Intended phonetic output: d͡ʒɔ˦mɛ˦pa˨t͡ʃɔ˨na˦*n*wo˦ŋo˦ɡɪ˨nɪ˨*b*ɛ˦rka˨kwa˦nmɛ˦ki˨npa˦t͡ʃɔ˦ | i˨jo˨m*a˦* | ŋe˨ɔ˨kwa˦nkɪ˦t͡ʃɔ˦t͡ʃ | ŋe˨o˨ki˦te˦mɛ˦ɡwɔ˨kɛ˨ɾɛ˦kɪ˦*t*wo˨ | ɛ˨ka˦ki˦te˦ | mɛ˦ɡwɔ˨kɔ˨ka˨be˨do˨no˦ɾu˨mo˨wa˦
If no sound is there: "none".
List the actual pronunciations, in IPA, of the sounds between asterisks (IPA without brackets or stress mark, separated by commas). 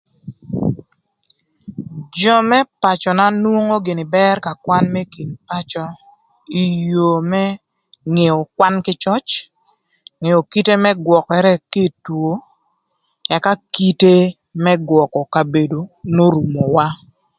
n, b, ɛ˦, t